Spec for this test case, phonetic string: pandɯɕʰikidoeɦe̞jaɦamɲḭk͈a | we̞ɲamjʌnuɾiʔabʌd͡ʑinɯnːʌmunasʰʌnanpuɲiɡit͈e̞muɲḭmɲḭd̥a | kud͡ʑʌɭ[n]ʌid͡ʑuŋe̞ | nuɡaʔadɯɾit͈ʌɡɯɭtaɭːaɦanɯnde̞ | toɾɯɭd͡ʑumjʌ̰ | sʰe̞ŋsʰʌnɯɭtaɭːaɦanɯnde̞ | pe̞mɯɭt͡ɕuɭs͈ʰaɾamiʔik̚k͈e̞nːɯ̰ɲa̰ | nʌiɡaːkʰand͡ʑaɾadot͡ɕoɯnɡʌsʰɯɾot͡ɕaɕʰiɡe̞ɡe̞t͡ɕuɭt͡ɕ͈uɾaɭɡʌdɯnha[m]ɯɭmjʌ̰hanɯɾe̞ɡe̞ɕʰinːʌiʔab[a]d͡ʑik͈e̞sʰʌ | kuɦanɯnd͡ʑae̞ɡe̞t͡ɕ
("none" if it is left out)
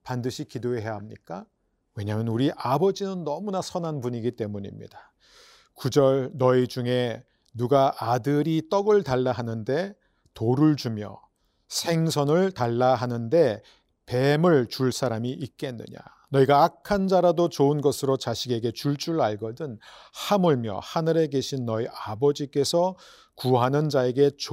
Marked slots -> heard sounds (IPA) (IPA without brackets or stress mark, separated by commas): n, m, ʌ